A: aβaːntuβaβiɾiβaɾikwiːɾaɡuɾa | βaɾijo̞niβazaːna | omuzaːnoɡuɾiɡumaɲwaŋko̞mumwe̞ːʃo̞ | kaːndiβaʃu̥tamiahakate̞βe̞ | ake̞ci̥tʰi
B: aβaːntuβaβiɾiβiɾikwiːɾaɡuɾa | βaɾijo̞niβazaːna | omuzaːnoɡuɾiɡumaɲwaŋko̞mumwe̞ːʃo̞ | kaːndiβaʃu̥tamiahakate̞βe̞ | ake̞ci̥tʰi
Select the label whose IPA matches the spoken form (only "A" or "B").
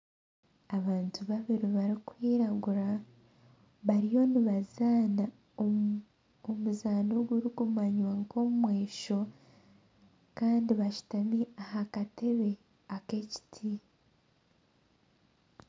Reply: A